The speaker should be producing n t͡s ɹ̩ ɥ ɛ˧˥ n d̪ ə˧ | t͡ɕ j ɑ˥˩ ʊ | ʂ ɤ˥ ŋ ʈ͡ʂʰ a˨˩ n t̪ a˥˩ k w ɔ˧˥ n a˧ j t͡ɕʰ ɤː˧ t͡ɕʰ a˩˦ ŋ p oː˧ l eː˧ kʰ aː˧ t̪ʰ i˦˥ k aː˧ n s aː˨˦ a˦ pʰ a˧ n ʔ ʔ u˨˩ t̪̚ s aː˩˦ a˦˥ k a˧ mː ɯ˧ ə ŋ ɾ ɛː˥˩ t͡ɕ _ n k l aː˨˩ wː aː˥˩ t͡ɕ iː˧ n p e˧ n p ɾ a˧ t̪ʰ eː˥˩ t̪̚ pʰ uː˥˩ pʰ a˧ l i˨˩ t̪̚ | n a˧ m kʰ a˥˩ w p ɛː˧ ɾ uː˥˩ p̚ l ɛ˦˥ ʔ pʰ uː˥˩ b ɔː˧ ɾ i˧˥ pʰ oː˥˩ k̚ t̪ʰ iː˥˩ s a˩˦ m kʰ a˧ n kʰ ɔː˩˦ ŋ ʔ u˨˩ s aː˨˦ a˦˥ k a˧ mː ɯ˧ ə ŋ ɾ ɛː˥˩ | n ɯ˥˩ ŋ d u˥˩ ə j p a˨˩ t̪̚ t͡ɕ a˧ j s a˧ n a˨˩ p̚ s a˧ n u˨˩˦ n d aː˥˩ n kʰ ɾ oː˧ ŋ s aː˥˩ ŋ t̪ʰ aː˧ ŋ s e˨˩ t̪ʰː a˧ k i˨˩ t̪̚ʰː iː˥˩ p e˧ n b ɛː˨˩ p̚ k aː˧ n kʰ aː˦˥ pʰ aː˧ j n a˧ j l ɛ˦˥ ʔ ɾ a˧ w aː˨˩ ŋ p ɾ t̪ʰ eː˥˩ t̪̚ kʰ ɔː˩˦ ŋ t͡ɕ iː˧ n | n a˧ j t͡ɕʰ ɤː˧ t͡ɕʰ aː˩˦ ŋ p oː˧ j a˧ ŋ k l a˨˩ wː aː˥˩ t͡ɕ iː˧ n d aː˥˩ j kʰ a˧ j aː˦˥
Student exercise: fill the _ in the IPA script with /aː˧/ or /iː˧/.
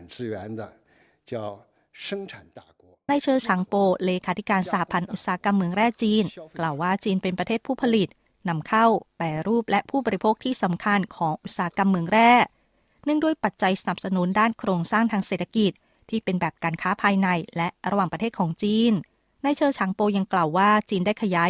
iː˧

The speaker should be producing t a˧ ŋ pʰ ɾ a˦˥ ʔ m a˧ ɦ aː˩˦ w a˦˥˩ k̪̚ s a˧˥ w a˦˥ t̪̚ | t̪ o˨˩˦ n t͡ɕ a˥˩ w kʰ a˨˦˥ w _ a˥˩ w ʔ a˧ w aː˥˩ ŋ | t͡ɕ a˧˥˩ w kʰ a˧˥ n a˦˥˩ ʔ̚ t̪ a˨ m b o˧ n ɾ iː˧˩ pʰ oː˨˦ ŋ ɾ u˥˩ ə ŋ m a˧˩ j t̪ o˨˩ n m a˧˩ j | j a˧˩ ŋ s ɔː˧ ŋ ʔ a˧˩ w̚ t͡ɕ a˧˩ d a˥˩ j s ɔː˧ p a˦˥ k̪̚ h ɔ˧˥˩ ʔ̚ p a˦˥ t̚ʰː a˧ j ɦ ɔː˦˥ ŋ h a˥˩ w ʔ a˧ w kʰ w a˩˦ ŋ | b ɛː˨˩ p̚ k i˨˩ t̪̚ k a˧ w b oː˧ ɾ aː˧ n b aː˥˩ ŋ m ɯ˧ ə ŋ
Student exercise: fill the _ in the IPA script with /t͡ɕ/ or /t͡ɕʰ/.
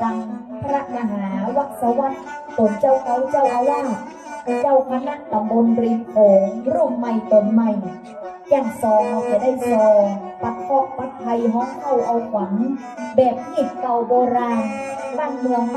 t͡ɕ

